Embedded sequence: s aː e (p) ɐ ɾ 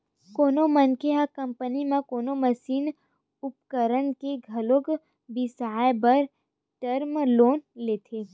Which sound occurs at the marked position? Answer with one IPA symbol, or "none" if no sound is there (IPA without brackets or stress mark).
b